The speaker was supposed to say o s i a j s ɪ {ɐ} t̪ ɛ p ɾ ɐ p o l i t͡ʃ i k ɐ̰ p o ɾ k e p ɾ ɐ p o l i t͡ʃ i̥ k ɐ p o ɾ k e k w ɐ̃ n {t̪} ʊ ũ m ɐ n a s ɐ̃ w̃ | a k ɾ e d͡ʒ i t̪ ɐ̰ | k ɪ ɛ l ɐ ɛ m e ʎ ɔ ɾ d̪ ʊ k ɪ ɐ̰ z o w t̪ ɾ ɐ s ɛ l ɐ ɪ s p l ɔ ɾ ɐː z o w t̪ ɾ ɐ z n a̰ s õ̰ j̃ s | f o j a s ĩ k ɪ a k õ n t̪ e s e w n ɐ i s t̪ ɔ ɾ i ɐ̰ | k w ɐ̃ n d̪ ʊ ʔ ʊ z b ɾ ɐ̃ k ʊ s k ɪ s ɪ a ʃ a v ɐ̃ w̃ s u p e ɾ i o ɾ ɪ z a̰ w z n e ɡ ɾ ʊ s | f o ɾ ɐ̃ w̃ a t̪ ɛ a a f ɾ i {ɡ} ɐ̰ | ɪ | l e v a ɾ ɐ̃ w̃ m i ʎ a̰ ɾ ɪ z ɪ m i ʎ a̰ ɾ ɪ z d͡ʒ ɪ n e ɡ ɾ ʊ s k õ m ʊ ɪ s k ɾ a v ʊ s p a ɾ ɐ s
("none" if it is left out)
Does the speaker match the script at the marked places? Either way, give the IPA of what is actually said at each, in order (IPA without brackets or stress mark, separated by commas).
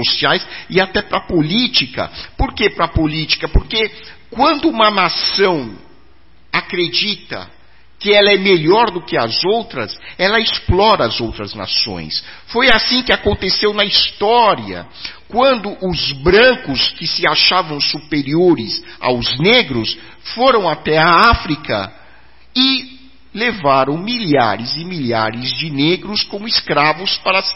a, d̪, k